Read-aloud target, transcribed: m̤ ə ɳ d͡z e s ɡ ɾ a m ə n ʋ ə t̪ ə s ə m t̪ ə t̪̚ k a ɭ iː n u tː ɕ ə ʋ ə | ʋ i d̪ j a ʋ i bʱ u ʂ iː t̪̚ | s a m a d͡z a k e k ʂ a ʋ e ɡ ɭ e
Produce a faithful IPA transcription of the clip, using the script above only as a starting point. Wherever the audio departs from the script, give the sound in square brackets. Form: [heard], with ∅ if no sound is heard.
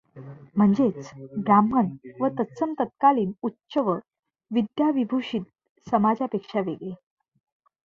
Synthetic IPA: m̤ ə ɳ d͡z e [t͡s] ɡ ɾ a m ə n ʋ ə t̪ ə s ə m t̪ ə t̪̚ k a [l] iː n u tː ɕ ə ʋ ə | ʋ i d̪ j a ʋ i bʱ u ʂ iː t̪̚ | s [ə] m a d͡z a [p] e k ʂ a ʋ e ɡ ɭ e